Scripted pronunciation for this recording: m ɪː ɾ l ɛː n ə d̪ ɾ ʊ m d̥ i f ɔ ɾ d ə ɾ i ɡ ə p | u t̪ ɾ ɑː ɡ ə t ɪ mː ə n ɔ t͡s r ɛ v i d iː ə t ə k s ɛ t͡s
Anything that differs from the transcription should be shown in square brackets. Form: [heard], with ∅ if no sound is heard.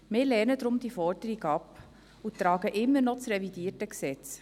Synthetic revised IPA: m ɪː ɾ l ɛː n ə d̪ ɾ ʊ m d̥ i f ɔ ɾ d ə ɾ i ɡ [ɑ] p | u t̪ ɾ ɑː ɡ ə [ʔ] ɪ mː ə n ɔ t͡s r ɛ v i d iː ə t ə k s ɛ t͡s